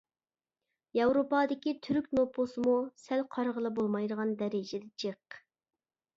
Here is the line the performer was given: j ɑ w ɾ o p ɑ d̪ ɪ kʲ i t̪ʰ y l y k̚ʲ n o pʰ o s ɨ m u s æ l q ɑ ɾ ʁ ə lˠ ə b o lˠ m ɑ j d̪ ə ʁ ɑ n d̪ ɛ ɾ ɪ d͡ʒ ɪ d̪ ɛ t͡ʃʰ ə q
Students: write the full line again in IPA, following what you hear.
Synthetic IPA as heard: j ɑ w ɾ o p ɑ d̪ ɪ kʲ i t̪ʰ y ɾ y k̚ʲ n o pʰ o s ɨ m u s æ l qʰ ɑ ɾ ʁ ə lˠ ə b o lˠ m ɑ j d̪ ə ʁ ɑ n d̪ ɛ ɾ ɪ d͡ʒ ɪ d̪ ɛ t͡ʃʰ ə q